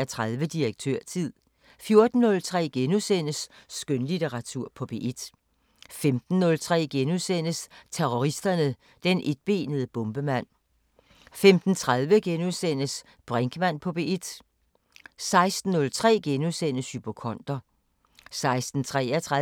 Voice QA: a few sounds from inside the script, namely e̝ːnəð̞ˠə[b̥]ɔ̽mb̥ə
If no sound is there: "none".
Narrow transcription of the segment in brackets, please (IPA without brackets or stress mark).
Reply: b̥